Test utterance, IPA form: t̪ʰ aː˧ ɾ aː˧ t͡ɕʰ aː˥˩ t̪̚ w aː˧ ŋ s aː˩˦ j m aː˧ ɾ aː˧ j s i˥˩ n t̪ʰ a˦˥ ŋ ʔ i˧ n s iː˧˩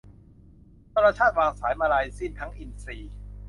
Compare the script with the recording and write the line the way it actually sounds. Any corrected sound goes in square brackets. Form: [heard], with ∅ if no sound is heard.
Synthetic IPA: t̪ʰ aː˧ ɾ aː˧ t͡ɕʰ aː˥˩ t̪̚ w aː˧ ŋ s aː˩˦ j m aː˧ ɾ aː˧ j s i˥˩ n t̪ʰ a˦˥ ŋ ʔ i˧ n s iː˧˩